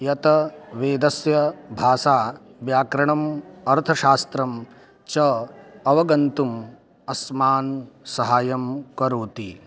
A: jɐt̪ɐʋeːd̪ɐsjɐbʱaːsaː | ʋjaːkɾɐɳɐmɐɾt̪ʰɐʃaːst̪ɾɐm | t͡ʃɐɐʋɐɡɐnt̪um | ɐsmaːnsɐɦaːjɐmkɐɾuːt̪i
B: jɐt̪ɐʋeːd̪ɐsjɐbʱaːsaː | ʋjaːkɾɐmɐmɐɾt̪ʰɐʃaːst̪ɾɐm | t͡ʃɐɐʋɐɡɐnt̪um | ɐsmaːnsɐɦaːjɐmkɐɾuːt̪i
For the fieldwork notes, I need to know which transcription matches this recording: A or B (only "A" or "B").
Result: A